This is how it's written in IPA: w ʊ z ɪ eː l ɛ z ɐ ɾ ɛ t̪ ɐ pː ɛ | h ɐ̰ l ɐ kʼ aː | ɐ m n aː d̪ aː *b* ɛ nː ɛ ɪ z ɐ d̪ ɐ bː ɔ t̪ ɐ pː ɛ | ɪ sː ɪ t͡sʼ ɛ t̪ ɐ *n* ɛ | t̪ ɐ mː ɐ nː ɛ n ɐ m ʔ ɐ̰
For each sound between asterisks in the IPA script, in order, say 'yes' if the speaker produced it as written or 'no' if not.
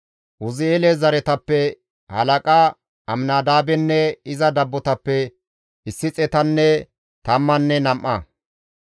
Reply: yes, no

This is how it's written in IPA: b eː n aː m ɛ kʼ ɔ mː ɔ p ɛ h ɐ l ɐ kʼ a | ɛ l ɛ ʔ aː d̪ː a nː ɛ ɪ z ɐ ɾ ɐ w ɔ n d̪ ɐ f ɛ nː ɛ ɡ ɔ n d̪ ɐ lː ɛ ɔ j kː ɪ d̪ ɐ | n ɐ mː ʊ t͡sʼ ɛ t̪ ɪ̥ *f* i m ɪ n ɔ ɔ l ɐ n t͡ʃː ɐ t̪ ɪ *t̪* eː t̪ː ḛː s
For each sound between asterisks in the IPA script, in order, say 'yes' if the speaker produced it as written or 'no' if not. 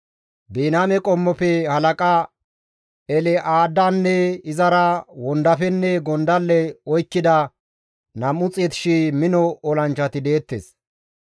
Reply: no, no

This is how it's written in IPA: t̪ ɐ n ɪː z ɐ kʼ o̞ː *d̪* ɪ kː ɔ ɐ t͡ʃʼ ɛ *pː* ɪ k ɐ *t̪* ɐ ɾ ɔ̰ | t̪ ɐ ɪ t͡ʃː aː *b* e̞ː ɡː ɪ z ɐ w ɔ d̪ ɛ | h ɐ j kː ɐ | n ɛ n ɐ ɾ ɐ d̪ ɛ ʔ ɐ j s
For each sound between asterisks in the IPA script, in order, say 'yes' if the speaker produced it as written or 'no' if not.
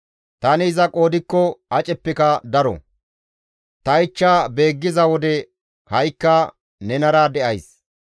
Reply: yes, yes, no, yes

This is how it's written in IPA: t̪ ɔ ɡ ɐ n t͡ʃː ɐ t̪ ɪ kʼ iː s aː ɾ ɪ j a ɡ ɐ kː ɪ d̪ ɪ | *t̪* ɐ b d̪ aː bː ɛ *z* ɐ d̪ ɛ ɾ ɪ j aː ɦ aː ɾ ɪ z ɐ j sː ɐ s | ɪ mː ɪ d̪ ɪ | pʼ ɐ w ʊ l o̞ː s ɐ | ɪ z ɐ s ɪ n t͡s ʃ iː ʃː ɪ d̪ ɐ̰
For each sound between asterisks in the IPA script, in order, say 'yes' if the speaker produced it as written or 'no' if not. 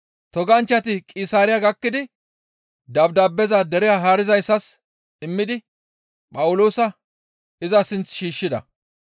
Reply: no, yes

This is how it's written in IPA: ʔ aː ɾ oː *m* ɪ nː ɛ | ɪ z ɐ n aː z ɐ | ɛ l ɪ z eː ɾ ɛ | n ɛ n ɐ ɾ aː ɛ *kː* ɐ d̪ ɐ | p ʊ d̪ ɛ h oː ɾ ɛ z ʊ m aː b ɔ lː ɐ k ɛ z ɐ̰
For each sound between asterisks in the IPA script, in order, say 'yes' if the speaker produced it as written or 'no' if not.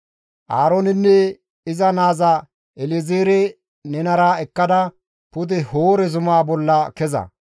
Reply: no, yes

